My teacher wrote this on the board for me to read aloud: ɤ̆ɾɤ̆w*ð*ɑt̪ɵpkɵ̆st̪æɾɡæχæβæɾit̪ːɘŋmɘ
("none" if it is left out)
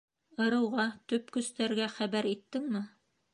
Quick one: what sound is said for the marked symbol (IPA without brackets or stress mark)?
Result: ʁ